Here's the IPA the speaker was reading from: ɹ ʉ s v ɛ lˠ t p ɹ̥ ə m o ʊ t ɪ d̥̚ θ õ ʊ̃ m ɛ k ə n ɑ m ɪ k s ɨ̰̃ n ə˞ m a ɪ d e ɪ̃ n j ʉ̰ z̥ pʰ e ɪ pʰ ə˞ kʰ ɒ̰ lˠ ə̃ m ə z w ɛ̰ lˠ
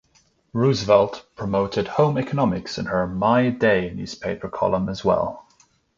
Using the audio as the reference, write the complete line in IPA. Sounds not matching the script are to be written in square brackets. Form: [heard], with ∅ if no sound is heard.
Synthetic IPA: ɹ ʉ [z] v ɛ lˠ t [pʰ] ɹ̥ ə m o ʊ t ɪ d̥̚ [h] õ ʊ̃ m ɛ k ə n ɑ m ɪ k s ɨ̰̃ n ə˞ m a ɪ d e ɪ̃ n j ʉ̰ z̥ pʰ e ɪ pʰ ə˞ kʰ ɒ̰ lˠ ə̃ m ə z w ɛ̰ lˠ

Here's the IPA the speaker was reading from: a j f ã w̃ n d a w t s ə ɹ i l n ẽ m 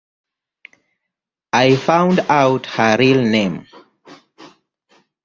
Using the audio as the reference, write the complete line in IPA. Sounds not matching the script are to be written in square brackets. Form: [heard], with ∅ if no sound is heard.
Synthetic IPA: a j f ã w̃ n d a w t [h] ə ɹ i l n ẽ m

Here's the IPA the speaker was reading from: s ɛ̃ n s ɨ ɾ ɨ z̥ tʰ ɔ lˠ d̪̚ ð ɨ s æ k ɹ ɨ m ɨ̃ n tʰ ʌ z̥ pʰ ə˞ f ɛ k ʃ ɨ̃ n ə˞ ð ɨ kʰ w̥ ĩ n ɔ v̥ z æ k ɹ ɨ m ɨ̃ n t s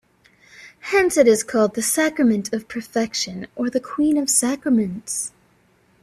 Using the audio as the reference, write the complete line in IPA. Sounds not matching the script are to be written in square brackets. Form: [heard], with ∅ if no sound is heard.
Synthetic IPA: [h] ɛ̃ n s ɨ ɾ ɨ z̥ [kʰ] ɔ lˠ d̪̚ ð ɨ s æ k ɹ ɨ m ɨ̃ n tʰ ʌ [v̥] pʰ ə˞ f ɛ k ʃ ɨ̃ n ə˞ ð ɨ kʰ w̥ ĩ n [ʌ] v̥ [s] æ k ɹ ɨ m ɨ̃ n t s

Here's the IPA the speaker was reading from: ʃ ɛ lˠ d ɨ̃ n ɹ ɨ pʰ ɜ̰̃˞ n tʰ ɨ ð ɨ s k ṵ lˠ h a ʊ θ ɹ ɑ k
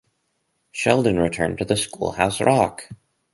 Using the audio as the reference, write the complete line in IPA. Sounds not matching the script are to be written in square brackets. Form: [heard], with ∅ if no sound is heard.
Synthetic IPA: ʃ ɛ lˠ d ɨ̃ n ɹ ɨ [tʰ] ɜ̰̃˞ n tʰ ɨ ð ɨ s k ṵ lˠ h a ʊ [s] ɹ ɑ k

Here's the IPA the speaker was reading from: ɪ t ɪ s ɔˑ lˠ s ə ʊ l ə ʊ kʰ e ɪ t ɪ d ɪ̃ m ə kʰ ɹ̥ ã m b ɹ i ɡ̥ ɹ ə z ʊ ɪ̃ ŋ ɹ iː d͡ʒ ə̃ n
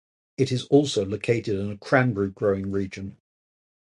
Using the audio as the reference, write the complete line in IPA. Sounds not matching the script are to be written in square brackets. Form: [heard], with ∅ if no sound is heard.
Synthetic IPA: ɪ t ɪ [z] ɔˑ lˠ s ə ʊ l ə ʊ kʰ e ɪ t ɪ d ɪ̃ [n] ə kʰ ɹ̥ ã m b ɹ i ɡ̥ ɹ ə [∅] ʊ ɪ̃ ŋ ɹ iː d͡ʒ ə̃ n

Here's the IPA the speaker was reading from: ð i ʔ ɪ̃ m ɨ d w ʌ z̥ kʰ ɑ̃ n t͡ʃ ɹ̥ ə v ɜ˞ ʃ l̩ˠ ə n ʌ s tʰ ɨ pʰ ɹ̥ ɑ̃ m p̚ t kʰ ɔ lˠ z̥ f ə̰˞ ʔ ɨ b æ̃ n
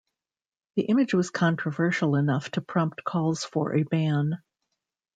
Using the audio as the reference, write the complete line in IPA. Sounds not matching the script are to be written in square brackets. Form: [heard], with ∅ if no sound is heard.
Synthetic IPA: ð i ʔ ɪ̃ m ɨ [d͡ʒ] w ʌ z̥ kʰ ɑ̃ n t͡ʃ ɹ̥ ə v ɜ˞ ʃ l̩ˠ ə n ʌ [f] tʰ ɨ pʰ ɹ̥ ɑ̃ m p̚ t kʰ ɔ lˠ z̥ f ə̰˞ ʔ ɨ b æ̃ n

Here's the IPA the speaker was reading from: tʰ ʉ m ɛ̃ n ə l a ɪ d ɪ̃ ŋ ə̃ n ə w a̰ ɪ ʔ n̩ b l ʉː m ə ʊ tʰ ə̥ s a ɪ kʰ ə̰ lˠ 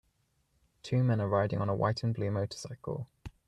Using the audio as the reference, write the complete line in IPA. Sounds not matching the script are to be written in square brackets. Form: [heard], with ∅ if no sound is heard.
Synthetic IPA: tʰ [ʉː] m ɛ̃ n ə [ɹ] a ɪ d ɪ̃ ŋ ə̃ n ə w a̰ ɪ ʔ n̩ b l ʉː m ə ʊ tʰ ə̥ s a ɪ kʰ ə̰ lˠ

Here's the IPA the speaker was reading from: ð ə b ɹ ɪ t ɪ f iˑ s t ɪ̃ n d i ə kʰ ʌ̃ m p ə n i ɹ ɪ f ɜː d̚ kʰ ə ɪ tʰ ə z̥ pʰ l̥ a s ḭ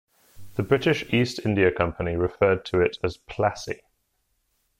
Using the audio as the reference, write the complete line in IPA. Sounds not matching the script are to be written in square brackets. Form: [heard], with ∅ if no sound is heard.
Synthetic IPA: ð ə b ɹ ɪ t ɪ [ʃ] iˑ s t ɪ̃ n d i ə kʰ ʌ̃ m p ə n i ɹ ɪ f ɜː d̚ [tʰ] ə ɪ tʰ ə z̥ pʰ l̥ a s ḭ

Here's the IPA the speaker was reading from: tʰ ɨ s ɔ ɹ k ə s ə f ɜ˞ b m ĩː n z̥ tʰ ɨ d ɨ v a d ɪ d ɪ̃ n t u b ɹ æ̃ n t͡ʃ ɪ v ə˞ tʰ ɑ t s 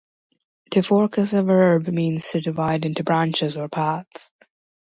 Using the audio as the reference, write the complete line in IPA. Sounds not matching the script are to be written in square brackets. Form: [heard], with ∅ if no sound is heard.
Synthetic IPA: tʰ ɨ [f] ɔ ɹ k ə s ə [v] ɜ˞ b m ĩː n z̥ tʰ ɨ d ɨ v a [∅] ɪ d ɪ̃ n t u b ɹ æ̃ n t͡ʃ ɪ [z] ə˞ [pʰ] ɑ t s

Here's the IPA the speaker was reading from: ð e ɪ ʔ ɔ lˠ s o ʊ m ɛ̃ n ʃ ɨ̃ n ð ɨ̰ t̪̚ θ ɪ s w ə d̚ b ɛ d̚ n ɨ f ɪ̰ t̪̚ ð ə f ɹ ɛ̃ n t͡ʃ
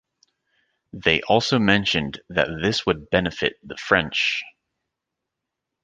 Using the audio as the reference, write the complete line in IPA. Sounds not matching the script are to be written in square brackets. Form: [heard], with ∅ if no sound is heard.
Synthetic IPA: ð e ɪ ʔ ɔ lˠ s o ʊ m ɛ̃ n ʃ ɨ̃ n ð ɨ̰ t̪̚ [ð] ɪ s w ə d̚ b ɛ [∅] n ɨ f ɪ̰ t̪̚ ð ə f ɹ ɛ̃ n t͡ʃ

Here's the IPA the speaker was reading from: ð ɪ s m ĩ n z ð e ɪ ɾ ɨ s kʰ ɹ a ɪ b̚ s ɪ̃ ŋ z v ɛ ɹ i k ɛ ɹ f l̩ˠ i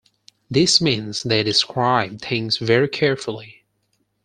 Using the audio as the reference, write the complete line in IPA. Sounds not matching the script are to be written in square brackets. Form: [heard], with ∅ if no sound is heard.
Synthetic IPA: ð ɪ s m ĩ n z ð e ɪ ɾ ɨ s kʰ ɹ a ɪ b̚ [θ] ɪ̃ ŋ z v ɛ ɹ i [kʰ] ɛ ɹ f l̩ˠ i

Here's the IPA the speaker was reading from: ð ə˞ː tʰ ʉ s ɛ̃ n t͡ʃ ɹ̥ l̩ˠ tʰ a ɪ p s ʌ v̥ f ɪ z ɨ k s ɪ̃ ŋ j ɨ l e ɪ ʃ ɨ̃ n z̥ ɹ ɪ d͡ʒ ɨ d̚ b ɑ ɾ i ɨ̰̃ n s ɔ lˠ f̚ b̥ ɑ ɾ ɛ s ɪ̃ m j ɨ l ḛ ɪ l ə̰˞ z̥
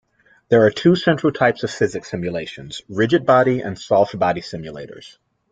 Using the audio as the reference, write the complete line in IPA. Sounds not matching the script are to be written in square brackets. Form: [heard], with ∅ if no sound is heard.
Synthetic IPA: ð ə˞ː tʰ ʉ s ɛ̃ n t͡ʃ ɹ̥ l̩ˠ tʰ a ɪ p s ʌ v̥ f ɪ z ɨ k s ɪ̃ [m] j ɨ l e ɪ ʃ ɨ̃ n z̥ ɹ ɪ d͡ʒ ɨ d̚ b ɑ ɾ i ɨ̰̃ n s ɔ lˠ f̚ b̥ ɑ ɾ [i] s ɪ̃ m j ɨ l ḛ ɪ [ɾ] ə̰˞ z̥

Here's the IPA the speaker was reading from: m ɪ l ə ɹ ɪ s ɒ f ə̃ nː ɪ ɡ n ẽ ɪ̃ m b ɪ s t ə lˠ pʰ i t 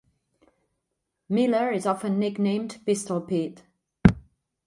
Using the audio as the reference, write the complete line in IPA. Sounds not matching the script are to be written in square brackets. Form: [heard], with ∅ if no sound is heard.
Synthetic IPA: m ɪ l ə ɹ ɪ [z] ɒ f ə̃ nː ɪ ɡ n ẽ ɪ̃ m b ɪ s t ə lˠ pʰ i t

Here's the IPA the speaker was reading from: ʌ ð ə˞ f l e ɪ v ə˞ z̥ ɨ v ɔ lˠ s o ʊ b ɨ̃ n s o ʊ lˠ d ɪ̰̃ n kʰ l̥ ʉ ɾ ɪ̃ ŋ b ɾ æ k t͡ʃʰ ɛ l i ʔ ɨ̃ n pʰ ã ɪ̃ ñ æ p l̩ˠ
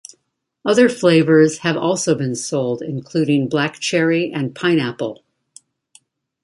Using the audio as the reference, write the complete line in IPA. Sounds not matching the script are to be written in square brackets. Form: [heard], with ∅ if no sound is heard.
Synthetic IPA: ʌ ð ə˞ f l e ɪ v ə˞ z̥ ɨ v ɔ lˠ s o ʊ b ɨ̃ n s o ʊ lˠ d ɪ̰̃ n kʰ l̥ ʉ ɾ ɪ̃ ŋ b [l] æ k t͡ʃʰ ɛ [ɹ] i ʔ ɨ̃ n pʰ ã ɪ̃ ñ æ p l̩ˠ

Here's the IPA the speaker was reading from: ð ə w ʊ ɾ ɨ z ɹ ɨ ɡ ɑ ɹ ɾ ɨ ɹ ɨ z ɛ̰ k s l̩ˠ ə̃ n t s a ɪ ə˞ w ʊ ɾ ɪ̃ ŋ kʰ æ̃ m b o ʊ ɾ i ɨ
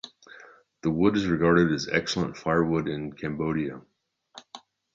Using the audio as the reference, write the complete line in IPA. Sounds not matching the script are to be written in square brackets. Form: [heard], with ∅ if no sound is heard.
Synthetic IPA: ð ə w ʊ ɾ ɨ z ɹ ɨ ɡ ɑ ɹ ɾ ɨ [ɾ] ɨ z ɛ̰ k s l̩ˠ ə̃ n t [f] a ɪ ə˞ w ʊ ɾ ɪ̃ [n] kʰ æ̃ m b o ʊ ɾ i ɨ

